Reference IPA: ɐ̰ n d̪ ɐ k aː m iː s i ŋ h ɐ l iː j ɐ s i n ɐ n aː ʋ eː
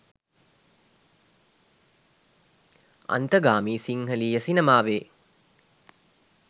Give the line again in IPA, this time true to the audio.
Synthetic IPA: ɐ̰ n t̪ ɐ ɡ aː m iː s i ŋ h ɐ l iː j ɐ s i n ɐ m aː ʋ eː